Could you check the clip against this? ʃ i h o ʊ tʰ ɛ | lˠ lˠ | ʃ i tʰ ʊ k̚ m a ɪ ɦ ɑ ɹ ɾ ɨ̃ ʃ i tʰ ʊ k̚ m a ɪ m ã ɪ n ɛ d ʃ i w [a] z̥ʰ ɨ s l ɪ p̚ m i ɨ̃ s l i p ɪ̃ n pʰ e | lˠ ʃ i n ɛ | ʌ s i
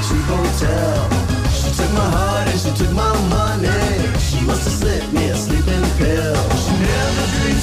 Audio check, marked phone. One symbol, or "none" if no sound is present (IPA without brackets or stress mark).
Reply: ʌ